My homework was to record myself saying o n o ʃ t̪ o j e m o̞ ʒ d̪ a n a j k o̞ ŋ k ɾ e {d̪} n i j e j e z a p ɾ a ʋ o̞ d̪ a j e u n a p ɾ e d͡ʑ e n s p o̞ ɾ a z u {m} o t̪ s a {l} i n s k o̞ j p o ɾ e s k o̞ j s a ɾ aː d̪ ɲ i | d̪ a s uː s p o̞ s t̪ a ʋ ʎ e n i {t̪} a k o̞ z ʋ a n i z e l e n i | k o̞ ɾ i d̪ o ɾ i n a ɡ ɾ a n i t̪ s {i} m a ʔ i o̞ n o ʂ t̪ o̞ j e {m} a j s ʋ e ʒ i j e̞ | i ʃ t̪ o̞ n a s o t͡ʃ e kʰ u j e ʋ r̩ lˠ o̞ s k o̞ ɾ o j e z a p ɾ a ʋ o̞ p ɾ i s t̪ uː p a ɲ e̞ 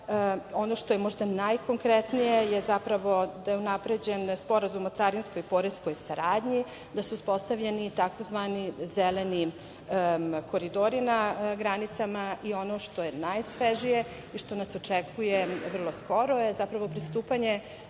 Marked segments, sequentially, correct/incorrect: incorrect, correct, incorrect, correct, incorrect, incorrect

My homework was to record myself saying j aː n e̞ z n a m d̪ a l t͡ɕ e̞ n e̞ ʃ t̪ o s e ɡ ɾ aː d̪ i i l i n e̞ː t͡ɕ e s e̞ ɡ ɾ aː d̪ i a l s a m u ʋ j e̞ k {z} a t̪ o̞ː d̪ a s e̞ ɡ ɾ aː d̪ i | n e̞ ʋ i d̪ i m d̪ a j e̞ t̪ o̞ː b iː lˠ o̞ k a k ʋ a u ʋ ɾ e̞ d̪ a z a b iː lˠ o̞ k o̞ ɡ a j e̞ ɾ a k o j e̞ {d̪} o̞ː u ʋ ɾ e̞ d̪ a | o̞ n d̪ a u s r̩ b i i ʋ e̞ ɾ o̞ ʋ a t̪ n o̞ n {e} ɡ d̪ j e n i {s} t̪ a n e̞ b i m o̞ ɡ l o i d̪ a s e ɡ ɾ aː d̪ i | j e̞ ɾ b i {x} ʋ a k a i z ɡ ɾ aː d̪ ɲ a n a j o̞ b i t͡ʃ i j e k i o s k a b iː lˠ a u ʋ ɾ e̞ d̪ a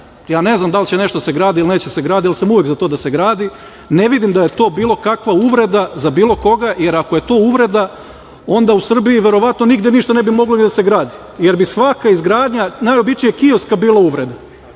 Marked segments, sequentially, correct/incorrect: correct, incorrect, incorrect, incorrect, incorrect

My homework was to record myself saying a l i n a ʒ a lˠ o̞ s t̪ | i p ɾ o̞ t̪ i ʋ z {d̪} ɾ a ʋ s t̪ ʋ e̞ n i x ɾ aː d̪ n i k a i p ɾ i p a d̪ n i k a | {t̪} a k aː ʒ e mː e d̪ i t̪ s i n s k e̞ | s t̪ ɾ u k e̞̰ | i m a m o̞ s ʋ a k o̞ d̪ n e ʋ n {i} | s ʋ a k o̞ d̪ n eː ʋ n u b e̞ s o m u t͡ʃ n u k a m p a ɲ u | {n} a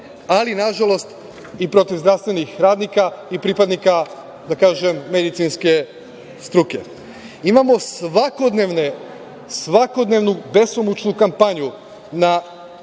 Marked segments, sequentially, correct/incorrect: correct, incorrect, incorrect, correct

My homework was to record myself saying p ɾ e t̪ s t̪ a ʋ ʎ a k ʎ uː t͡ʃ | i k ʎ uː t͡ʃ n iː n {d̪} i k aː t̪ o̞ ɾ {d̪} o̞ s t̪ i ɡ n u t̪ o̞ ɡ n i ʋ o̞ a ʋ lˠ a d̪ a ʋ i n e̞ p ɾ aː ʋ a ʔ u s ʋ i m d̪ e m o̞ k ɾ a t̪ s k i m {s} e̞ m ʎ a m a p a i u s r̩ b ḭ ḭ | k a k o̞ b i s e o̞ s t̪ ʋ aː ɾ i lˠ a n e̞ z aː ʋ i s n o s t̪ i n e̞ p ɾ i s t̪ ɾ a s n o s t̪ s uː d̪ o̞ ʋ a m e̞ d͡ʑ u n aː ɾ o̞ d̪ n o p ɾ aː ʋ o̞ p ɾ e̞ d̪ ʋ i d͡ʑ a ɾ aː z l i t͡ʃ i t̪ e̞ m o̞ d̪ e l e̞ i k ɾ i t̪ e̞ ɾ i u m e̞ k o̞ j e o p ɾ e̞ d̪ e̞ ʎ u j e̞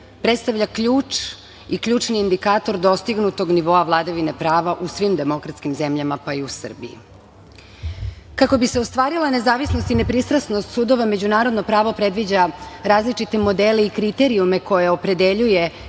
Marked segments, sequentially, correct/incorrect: correct, correct, incorrect

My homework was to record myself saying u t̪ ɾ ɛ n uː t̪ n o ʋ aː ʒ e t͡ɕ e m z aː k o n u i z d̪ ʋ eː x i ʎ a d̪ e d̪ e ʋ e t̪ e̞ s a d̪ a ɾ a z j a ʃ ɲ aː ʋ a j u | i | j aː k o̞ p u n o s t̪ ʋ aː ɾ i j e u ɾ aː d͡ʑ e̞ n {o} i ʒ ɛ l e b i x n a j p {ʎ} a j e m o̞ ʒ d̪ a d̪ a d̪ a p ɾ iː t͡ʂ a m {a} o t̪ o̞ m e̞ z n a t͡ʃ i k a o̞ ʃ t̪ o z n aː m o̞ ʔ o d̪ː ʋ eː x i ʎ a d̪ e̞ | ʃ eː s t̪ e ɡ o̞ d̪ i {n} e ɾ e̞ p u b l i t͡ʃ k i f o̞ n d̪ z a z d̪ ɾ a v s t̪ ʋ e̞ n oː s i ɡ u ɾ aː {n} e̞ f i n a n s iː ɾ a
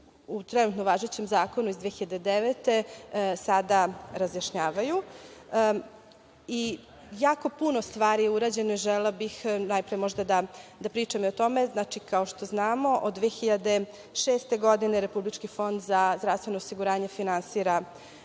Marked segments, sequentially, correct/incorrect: correct, incorrect, incorrect, correct, incorrect

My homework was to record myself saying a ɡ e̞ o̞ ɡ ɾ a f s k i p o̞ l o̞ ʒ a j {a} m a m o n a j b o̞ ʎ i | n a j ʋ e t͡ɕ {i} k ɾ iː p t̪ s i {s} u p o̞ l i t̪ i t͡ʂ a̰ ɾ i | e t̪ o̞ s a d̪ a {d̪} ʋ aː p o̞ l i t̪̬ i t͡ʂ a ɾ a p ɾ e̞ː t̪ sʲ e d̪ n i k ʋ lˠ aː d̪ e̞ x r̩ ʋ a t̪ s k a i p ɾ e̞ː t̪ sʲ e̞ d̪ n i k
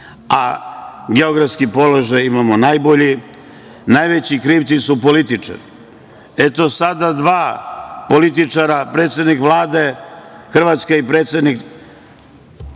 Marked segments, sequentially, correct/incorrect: incorrect, correct, correct, correct

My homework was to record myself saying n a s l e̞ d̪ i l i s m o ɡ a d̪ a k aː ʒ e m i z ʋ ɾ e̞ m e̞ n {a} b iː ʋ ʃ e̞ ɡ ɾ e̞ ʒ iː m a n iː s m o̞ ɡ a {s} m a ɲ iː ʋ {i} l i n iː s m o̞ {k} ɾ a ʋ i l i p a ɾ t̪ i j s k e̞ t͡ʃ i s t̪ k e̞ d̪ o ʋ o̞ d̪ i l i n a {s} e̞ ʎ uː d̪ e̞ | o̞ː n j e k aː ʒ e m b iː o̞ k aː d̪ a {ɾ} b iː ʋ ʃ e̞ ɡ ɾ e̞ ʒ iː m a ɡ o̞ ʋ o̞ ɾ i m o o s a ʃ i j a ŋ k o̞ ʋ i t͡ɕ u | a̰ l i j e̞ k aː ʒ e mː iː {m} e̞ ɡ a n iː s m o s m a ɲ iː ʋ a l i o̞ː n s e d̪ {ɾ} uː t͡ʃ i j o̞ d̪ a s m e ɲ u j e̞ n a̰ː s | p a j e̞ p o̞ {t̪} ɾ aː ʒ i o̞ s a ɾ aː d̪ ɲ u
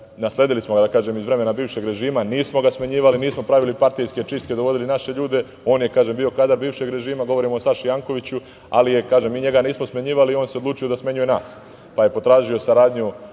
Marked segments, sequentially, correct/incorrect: correct, correct, incorrect, incorrect, incorrect, correct, incorrect, incorrect, correct

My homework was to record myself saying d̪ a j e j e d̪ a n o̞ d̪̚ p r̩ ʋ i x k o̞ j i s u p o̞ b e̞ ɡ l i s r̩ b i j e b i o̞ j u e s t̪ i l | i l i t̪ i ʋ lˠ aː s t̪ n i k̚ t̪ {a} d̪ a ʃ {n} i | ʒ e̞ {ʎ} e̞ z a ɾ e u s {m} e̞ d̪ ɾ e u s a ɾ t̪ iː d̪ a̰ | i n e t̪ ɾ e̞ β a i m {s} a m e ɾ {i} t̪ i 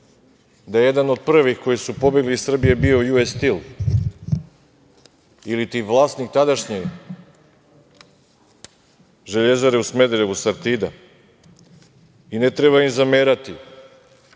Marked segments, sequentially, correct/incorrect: correct, incorrect, correct, correct, incorrect, incorrect

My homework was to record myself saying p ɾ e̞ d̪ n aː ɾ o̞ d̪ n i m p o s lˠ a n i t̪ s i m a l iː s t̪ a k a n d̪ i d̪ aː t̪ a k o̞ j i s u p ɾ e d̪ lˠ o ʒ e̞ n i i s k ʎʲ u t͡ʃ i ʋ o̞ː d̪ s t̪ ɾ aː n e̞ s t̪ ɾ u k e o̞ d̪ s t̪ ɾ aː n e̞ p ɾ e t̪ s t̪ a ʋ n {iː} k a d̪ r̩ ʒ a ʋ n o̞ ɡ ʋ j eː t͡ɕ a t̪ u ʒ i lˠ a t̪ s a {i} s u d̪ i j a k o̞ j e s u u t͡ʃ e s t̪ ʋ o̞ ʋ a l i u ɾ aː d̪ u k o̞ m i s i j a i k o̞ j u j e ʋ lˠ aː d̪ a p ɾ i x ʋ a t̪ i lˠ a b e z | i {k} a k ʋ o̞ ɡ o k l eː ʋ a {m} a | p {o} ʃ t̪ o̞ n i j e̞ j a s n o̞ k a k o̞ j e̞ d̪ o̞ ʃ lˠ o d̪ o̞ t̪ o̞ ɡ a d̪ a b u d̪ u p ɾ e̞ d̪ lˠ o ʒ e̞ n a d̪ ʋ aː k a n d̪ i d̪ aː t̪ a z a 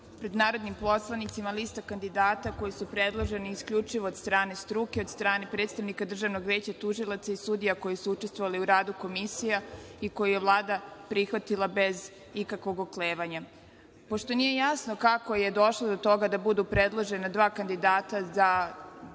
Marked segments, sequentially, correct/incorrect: incorrect, correct, correct, incorrect, correct

